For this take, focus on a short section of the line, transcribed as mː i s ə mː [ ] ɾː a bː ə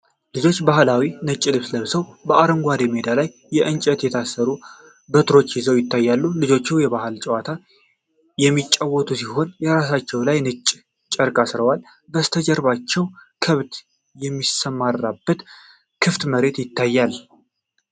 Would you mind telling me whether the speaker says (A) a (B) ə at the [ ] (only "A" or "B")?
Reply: A